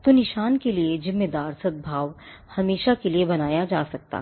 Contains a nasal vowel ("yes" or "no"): no